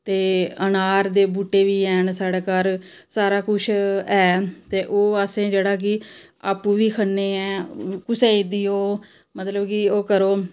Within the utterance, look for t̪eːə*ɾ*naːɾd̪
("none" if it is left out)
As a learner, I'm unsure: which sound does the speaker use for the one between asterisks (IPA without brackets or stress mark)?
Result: none